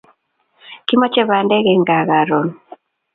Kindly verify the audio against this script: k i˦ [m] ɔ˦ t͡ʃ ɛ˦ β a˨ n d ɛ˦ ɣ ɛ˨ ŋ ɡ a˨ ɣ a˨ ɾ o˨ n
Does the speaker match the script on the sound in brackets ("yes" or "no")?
yes